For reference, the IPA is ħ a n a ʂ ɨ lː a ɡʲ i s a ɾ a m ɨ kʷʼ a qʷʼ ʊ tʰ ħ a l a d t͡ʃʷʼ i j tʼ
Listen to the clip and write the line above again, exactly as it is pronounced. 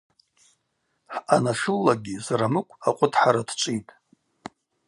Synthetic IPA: ħ a n a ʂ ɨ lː a ɡʲ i z a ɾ a m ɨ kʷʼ a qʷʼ ʊ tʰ ħ a ɾ a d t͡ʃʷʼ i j tʼ